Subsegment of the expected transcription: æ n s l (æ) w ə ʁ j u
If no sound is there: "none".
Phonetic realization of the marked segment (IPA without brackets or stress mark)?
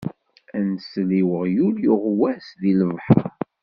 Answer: i